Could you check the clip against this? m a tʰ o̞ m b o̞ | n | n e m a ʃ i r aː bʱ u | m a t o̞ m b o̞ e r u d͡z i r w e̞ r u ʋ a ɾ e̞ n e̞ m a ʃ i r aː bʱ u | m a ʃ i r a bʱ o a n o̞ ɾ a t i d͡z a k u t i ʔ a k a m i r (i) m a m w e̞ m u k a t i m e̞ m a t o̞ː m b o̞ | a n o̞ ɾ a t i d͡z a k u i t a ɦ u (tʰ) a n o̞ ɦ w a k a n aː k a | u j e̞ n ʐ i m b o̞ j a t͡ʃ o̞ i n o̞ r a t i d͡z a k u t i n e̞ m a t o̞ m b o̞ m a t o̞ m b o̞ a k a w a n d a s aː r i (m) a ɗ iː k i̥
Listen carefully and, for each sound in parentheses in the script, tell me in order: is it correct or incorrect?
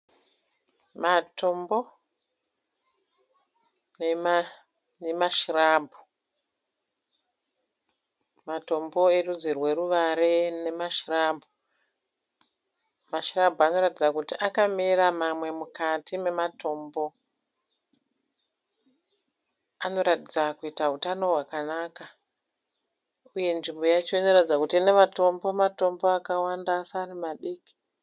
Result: incorrect, incorrect, correct

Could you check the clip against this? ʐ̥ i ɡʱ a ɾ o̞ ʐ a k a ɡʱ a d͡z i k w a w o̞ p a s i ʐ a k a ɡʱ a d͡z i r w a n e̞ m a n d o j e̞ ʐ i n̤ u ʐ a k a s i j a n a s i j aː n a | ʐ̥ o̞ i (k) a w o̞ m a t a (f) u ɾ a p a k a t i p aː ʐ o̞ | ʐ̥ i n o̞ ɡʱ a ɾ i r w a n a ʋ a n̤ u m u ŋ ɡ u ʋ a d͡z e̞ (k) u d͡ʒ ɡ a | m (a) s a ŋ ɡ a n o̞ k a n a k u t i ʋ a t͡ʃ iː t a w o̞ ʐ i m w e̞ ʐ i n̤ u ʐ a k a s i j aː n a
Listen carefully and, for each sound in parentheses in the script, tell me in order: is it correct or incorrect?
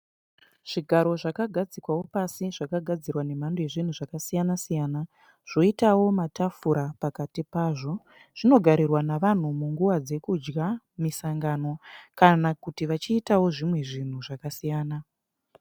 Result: incorrect, correct, correct, incorrect

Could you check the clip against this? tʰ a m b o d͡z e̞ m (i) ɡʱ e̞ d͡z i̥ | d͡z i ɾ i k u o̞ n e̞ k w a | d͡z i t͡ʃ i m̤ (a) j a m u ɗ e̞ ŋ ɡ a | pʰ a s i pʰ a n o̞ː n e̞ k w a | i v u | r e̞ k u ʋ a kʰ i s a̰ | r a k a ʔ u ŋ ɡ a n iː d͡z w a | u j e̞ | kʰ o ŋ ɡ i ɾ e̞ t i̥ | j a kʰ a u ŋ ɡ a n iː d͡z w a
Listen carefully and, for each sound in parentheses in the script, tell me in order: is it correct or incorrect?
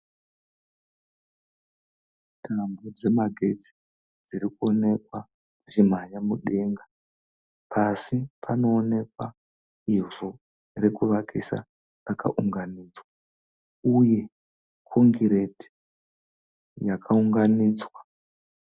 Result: incorrect, correct

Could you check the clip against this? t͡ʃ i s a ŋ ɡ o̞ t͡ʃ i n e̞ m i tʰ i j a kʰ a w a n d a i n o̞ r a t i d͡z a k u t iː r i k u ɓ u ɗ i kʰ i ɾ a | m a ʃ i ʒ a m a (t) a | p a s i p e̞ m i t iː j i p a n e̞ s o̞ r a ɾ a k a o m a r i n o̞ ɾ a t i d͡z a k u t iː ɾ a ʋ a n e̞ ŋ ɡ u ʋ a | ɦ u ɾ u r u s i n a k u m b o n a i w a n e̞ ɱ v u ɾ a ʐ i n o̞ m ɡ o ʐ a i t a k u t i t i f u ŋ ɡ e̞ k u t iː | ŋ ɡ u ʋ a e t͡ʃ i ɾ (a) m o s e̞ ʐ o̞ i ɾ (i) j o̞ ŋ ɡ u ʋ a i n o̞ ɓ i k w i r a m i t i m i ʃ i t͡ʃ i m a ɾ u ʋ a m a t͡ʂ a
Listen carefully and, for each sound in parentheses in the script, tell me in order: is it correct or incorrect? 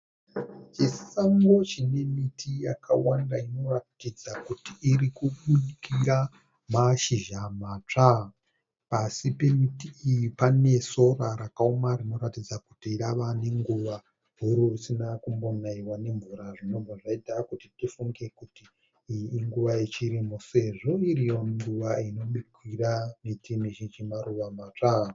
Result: incorrect, incorrect, correct

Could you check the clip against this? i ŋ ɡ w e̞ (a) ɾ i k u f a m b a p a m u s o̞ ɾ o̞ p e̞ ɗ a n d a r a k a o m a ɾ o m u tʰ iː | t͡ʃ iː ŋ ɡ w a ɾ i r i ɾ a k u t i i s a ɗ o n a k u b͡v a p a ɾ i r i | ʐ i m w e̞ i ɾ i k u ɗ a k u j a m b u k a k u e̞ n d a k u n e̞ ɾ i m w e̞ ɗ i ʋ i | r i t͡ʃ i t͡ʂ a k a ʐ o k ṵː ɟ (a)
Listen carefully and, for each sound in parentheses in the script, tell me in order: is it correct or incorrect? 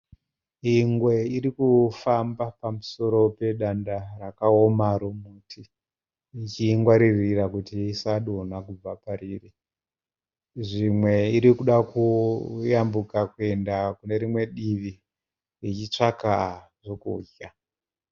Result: incorrect, correct

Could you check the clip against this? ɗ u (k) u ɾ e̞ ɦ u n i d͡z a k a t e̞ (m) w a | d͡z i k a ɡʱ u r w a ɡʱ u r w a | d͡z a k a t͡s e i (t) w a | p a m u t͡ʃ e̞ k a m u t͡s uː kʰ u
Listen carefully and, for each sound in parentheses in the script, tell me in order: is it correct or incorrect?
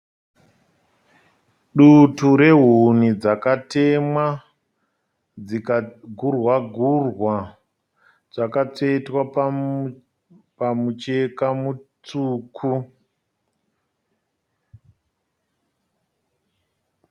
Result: incorrect, correct, correct

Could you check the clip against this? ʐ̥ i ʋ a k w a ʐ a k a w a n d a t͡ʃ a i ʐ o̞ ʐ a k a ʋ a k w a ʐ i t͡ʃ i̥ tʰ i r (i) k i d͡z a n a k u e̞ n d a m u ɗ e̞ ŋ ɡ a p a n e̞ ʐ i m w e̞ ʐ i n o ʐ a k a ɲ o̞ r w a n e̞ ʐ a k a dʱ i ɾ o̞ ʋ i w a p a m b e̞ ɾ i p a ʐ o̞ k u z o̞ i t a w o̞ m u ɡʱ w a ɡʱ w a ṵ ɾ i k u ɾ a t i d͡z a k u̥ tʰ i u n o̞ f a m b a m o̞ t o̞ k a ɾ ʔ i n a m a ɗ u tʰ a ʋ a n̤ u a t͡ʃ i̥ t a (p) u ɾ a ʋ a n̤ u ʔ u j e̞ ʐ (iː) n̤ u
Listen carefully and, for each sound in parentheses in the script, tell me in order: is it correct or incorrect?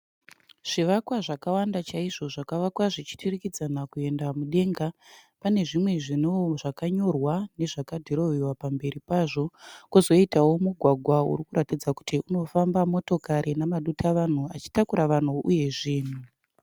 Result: correct, incorrect, correct

